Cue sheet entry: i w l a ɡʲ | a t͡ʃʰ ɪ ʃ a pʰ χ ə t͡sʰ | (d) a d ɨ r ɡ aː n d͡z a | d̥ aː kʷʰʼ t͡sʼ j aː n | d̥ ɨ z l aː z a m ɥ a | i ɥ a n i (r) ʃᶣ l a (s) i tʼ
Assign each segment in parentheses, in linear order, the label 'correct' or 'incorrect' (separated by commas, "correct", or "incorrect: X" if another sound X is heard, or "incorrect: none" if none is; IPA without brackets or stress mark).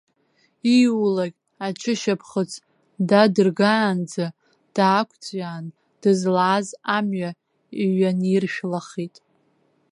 correct, correct, incorrect: χ